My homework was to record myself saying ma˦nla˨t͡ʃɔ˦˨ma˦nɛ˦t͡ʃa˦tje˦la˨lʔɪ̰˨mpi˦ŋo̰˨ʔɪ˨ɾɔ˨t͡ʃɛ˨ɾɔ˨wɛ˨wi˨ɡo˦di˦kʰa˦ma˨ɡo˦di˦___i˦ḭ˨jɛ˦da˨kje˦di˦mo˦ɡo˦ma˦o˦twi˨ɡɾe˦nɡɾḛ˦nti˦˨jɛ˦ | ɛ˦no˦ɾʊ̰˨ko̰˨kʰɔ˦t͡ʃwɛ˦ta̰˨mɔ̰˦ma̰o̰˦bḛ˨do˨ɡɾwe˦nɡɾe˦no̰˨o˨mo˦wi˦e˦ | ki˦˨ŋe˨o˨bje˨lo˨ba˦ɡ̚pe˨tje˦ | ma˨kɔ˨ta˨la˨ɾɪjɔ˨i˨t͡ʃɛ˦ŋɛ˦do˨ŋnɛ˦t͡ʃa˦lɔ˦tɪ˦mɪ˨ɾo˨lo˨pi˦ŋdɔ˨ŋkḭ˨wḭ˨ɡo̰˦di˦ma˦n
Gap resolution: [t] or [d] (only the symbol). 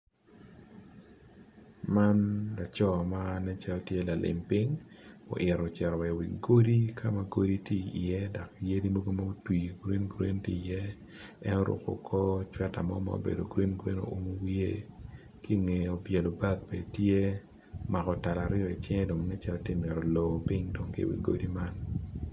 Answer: t